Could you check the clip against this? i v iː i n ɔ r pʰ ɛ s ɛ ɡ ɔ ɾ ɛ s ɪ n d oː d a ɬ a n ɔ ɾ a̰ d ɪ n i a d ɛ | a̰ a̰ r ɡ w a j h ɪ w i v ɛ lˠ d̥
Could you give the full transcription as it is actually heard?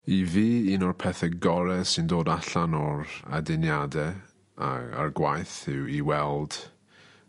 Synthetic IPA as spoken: i v iː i n ɔ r pʰ ɛ θ ɛ ɡ ɔ ɾ ɛ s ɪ n d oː d a ɬ a n ɔ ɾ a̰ d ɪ n j a d ɛ | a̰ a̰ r ɡ w a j θ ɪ w i w ɛ lˠ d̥